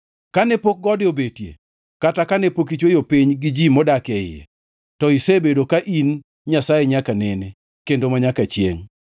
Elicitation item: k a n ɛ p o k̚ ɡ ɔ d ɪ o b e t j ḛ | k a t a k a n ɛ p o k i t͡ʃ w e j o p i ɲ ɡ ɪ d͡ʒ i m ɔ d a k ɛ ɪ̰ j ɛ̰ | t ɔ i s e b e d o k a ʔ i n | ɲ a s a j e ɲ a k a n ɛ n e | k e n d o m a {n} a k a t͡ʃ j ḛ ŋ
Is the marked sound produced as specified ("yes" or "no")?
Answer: no